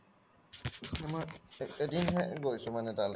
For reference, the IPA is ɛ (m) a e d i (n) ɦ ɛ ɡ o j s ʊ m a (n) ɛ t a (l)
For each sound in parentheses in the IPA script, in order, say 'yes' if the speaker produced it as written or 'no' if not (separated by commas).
yes, yes, yes, yes